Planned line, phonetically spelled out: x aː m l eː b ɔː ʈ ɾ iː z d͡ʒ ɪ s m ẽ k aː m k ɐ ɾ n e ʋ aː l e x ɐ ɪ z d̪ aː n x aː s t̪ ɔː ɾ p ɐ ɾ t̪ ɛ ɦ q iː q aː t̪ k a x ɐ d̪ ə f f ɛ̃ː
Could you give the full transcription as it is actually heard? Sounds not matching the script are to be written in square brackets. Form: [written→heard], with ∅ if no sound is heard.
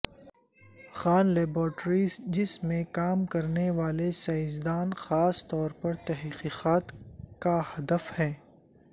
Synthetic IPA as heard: x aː [m→n] l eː b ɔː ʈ ɾ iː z d͡ʒ ɪ s m ẽ k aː m k ɐ ɾ n e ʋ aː l e [x→s] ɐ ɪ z d̪ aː n x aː s t̪ ɔː ɾ p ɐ ɾ t̪ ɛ ɦ q iː q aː t̪ k a [x→h] ɐ d̪ ə f [f→h] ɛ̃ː